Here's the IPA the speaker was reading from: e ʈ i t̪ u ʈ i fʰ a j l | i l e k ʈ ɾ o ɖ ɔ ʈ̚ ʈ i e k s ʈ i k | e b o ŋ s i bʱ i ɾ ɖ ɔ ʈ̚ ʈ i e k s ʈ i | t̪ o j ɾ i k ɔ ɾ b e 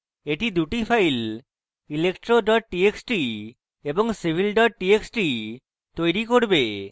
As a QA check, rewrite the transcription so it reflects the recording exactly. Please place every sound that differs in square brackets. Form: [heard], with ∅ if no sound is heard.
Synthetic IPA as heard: e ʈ i [d̪] u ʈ i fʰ a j l | i l e k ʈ ɾ o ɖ ɔ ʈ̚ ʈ i e k s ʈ i [∅] | e b o ŋ s i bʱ i [l] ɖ ɔ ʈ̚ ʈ i e k s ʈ i | t̪ o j ɾ i k [o] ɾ b e